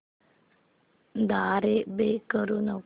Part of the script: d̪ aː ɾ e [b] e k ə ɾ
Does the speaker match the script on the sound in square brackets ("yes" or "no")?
yes